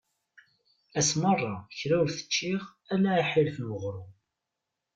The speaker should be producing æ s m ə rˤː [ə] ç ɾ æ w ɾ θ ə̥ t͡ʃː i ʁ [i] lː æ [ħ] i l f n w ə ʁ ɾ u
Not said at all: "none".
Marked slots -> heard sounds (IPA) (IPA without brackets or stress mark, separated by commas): ɑ, æ, ħ